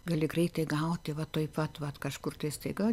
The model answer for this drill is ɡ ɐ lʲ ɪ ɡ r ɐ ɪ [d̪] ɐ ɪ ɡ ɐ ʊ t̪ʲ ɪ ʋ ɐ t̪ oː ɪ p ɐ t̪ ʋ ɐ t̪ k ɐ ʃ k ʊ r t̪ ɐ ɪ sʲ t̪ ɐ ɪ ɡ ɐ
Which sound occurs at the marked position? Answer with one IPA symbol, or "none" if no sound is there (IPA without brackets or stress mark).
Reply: t̪